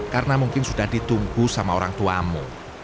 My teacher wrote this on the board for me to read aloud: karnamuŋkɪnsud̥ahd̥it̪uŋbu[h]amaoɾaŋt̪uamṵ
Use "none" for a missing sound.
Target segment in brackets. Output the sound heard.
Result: s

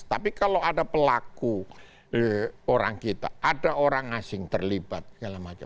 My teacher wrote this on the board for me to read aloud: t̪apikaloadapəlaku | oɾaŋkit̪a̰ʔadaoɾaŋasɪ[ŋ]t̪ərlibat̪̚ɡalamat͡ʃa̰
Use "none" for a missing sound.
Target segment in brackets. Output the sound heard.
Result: ŋ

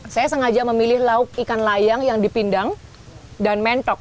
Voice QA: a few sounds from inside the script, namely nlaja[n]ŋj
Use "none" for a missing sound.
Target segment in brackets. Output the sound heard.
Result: none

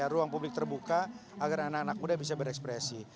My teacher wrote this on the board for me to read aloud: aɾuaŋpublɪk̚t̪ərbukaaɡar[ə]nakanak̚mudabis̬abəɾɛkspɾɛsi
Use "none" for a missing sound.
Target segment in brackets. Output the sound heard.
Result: a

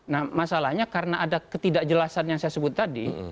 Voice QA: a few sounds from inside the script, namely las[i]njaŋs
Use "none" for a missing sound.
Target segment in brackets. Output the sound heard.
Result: a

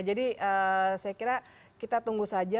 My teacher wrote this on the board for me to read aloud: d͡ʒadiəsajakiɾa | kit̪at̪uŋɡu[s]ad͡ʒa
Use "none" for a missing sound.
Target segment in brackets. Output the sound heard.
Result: s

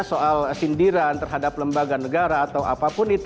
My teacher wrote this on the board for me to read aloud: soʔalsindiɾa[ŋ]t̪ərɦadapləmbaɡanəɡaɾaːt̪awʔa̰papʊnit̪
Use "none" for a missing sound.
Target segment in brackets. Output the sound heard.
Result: n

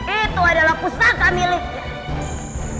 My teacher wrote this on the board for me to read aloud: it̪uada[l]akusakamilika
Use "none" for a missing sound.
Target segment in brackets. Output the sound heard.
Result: l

